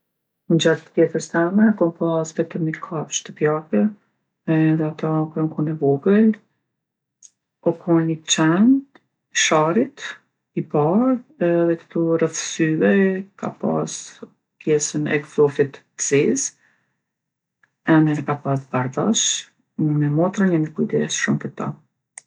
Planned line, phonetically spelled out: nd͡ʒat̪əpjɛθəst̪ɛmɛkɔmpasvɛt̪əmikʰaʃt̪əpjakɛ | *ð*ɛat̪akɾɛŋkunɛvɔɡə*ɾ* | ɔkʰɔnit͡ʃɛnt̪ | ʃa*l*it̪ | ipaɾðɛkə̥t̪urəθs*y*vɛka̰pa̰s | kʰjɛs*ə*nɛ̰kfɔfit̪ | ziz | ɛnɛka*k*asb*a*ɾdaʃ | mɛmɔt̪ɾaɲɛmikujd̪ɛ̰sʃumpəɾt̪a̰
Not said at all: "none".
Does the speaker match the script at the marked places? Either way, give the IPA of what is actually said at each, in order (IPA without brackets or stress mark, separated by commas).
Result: ð, l, ɾ, y, ə, p, a